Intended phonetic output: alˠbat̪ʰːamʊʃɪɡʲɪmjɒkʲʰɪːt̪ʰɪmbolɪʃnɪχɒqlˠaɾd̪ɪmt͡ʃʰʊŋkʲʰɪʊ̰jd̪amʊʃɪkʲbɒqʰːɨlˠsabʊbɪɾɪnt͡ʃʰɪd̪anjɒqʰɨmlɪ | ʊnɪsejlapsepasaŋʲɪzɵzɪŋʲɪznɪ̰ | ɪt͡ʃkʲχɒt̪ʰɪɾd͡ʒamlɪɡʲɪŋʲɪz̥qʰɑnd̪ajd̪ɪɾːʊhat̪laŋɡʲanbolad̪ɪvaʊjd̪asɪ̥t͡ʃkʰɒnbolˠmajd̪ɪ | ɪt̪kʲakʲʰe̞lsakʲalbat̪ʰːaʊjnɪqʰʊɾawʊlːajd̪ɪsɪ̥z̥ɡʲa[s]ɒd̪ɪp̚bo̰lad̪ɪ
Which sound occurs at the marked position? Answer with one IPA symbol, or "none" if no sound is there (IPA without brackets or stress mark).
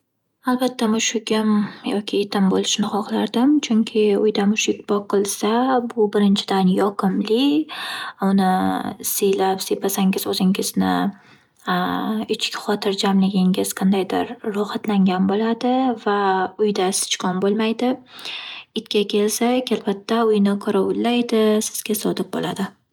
s